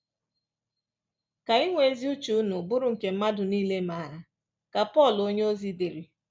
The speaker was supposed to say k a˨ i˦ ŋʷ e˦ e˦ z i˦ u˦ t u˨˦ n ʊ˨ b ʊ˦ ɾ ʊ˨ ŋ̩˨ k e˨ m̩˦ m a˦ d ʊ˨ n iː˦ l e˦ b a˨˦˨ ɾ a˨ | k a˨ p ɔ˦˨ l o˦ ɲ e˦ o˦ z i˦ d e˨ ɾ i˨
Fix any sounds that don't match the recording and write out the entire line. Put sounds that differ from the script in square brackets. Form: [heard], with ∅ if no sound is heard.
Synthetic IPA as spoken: k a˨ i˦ ŋʷ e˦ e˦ z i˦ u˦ [t͡ʃ] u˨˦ n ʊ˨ b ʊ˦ ɾ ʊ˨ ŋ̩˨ k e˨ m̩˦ m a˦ d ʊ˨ n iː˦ l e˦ [m] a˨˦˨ ɾ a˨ | k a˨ p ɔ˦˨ l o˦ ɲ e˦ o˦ z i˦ d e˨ ɾ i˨

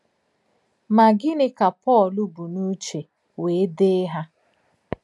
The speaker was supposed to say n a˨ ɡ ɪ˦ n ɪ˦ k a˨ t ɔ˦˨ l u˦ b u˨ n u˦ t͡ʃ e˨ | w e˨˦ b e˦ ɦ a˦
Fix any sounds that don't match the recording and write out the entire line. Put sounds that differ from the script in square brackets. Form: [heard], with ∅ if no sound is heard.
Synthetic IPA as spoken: [m] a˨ ɡ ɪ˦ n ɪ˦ k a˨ [p] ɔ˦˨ l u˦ b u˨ n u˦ t͡ʃ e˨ | w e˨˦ [d] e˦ ɦ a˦

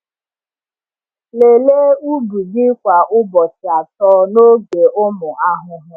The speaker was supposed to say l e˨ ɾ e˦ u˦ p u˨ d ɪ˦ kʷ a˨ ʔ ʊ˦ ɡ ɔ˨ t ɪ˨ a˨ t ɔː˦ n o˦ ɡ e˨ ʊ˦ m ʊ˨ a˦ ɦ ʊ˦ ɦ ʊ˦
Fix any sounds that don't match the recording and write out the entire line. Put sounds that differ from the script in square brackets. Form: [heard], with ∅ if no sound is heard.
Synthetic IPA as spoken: l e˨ [l] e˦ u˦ [b] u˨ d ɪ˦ kʷ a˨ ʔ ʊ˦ [b] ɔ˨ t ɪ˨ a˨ t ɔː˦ n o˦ ɡ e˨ ʊ˦ m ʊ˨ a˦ ɦ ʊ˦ ɦ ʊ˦

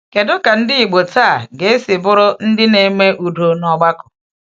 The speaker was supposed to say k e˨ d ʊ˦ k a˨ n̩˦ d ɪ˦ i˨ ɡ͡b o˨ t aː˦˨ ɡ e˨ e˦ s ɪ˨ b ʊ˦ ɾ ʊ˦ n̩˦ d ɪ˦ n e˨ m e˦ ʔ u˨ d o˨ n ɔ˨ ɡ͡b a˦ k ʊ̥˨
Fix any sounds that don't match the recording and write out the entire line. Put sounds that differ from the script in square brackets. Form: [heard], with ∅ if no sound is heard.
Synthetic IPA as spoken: k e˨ d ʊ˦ k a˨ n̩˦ d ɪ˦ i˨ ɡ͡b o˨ t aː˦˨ ɡ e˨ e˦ s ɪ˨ b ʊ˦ ɾ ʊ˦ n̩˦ d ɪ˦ n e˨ m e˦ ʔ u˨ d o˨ n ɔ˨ ɡ͡b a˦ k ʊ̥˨

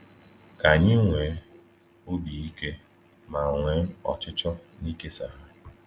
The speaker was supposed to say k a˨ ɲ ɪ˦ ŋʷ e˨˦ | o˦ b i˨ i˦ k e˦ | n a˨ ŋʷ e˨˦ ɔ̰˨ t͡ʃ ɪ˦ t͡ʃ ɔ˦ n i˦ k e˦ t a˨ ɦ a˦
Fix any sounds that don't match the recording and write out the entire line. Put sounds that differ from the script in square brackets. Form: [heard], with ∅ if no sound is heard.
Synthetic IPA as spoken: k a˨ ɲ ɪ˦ ŋʷ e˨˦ | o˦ b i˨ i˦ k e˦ | [m] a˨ ŋʷ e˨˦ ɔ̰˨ t͡ʃ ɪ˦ t͡ʃ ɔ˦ n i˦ k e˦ [s] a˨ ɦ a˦

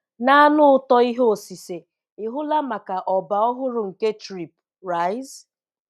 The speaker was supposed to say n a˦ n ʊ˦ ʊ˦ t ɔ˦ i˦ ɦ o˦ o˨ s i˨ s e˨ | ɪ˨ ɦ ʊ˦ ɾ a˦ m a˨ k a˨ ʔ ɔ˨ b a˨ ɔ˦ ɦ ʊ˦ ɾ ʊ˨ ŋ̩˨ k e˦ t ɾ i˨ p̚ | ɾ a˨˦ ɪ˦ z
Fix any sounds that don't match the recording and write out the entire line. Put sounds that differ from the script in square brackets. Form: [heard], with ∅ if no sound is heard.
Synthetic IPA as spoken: n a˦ n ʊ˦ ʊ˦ t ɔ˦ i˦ ɦ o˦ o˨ s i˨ s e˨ | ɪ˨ ɦ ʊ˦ [l] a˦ m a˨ k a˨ ʔ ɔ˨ b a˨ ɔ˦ ɦ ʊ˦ ɾ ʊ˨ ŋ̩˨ k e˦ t ɾ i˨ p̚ | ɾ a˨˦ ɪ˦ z

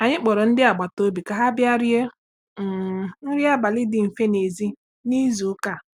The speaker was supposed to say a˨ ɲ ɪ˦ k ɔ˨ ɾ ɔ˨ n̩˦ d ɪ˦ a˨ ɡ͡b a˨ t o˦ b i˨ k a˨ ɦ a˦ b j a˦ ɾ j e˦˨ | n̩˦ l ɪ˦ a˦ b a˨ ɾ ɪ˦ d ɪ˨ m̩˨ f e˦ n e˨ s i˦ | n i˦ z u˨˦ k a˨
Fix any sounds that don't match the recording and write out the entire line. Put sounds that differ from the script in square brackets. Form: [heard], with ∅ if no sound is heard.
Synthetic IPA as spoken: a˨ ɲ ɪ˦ [k͡p] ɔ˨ ɾ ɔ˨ n̩˦ d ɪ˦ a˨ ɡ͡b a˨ t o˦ b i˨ k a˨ ɦ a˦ b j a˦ ɾ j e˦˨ | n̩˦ [ɾ] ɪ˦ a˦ b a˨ [l] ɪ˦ d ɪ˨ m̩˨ f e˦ n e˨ [z] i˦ | n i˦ z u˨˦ k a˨

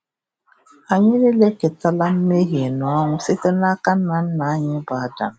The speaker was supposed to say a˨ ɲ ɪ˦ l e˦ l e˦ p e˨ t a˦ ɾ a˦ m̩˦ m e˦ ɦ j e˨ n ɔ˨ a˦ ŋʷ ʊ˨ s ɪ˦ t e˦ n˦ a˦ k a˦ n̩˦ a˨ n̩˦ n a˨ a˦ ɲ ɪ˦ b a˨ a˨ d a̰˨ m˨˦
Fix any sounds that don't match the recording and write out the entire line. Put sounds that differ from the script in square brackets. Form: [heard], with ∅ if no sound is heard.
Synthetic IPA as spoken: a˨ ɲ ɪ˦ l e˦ l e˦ [k] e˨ t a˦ [l] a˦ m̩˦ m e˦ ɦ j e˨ n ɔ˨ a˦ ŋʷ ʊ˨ s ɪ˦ t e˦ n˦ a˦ k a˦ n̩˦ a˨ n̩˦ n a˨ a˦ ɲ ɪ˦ b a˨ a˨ d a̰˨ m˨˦

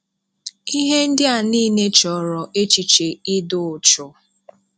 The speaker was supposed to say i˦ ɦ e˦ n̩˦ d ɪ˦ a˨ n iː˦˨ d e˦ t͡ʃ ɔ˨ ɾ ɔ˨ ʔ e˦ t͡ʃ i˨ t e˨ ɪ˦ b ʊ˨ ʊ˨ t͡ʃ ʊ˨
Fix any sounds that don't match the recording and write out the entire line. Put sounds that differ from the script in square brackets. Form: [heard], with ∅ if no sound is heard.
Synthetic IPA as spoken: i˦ ɦ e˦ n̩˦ d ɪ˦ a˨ n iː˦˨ [n] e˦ t͡ʃ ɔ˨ ɾ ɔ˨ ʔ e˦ t͡ʃ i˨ [t͡ʃ] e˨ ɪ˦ [d] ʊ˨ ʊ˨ t͡ʃ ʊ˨

